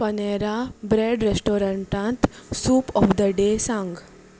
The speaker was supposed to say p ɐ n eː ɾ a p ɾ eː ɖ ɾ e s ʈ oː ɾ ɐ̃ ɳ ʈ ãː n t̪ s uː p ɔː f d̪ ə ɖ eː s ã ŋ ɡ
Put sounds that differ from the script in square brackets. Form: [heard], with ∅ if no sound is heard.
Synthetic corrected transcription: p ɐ n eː ɾ a [b] ɾ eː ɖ ɾ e s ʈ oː ɾ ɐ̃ ɳ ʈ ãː n t̪ s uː p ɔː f d̪ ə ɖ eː s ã ŋ ɡ